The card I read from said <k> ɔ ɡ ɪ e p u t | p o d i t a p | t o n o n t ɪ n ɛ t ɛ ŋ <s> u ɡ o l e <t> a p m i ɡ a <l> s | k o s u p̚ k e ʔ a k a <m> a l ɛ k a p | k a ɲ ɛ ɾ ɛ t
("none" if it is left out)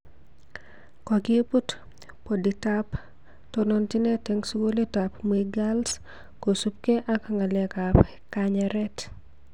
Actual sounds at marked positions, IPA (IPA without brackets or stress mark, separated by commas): k, s, t, l, ŋ